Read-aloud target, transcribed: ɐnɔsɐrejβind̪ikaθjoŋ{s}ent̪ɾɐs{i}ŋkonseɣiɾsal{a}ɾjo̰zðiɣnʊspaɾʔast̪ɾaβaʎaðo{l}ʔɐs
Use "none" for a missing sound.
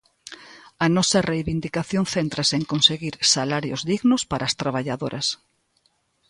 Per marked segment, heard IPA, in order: θ, e, a, ɾ

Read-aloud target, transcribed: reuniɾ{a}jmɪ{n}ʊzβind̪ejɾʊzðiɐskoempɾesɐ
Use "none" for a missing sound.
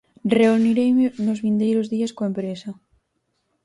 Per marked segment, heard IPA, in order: e, n

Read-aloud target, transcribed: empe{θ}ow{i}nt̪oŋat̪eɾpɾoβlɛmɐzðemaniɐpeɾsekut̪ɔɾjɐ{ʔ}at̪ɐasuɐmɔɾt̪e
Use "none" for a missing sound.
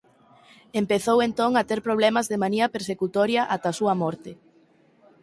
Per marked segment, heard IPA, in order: θ, e, ʔ

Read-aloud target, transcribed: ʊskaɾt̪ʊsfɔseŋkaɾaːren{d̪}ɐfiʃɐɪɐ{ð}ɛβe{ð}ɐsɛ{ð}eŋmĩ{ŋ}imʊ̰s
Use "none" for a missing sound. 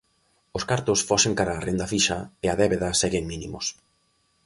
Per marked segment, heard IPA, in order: d̪, ð, ð, ɣ, n

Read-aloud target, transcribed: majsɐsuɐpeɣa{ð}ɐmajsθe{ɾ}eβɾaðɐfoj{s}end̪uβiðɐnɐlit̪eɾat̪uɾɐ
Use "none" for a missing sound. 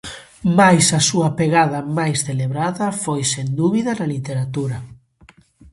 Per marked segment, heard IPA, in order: ð, l, s

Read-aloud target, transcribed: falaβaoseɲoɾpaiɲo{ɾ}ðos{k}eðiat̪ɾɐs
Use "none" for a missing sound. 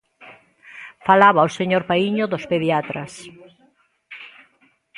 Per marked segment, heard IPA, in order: none, p

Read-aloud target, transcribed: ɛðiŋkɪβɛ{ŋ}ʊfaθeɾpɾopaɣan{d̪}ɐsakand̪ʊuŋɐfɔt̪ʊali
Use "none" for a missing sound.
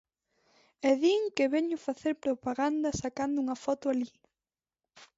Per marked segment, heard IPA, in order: ɲ, d̪

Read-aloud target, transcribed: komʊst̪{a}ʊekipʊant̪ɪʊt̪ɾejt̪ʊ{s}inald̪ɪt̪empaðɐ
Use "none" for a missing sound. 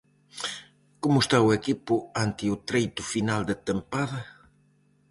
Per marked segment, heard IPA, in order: a, f

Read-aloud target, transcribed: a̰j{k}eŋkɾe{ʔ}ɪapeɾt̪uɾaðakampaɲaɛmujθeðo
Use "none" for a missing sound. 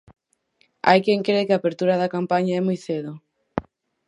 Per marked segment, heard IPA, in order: k, k

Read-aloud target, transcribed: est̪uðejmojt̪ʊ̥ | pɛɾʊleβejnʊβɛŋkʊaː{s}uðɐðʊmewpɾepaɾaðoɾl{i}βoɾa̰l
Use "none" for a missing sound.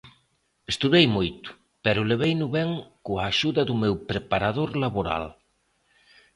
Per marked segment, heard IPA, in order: ʃ, a

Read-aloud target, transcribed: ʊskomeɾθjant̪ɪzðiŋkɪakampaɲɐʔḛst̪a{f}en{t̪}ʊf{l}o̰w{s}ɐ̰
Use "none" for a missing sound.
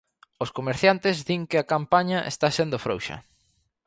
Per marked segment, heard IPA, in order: s, d̪, ɾ, ʃ

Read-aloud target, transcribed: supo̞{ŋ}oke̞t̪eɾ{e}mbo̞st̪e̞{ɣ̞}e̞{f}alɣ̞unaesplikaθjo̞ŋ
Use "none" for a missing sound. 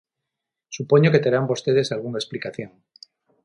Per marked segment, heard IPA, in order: ɲ, a, ð̞, s

